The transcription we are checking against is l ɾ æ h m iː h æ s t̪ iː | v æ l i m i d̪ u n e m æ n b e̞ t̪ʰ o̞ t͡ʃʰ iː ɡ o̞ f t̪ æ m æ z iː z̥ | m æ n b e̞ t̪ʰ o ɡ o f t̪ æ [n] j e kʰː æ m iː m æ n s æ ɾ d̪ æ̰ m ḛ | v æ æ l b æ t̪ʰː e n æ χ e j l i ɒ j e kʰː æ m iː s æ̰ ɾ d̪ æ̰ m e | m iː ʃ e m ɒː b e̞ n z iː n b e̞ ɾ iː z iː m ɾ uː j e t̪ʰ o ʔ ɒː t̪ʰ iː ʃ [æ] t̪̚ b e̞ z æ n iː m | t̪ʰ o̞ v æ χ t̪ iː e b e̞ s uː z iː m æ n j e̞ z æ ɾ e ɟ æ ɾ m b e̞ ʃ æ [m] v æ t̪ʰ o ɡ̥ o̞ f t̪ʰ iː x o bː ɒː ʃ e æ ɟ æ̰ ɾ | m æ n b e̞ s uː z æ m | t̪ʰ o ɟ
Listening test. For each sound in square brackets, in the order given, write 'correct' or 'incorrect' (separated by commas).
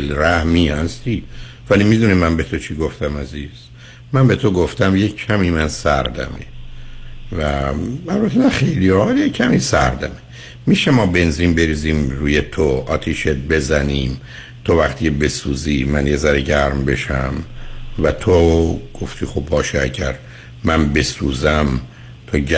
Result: incorrect, incorrect, correct